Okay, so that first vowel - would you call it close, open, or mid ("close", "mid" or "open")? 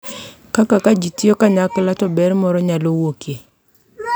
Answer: open